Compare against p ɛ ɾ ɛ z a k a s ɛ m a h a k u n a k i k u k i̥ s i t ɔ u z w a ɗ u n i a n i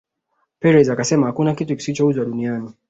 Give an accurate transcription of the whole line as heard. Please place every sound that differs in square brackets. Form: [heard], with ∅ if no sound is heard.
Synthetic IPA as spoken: p ɛ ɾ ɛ z a k a s ɛ m a h a k u n a k i [t] u k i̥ s i [t͡ʃ] ɔ u z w a ɗ u n i a n i